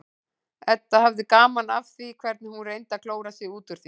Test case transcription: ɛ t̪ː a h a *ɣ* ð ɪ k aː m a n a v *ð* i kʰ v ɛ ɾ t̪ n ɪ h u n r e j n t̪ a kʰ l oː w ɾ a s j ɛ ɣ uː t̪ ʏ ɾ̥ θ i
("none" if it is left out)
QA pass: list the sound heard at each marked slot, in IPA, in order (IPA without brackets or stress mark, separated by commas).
v, θ